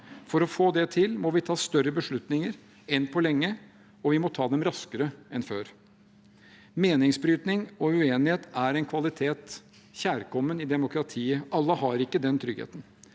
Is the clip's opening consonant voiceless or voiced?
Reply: voiceless